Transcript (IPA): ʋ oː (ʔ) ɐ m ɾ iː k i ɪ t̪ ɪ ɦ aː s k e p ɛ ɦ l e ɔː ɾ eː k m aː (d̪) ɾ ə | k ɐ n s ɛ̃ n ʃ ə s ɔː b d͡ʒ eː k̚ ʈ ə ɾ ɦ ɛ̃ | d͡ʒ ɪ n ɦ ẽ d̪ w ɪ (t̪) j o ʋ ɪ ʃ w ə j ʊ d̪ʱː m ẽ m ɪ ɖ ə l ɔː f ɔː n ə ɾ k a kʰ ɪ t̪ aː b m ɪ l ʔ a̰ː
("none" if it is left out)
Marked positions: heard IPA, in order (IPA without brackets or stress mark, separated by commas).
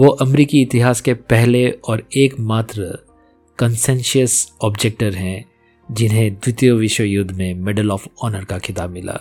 ʔ, t̪, t̪